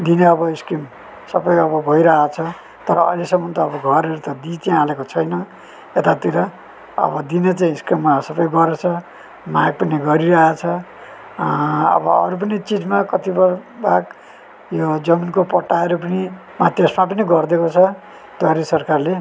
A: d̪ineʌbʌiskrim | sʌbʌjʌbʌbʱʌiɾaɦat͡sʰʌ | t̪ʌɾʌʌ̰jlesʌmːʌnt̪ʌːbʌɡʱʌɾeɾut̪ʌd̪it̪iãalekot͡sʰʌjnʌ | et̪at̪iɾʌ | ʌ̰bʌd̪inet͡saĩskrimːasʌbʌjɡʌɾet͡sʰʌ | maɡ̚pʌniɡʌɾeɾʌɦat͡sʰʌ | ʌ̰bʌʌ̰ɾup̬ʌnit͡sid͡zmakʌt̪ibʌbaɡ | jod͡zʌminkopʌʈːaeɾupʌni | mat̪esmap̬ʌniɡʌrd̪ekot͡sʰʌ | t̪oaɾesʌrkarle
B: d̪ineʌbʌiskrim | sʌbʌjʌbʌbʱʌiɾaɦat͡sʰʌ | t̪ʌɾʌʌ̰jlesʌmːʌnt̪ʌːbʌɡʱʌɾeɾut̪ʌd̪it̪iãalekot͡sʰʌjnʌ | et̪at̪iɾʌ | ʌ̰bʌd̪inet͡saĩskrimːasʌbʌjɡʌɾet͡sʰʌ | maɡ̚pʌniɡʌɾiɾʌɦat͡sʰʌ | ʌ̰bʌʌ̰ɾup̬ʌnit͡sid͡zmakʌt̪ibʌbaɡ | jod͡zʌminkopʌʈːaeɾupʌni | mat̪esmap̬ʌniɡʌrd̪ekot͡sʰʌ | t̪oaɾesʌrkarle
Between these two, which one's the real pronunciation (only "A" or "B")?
B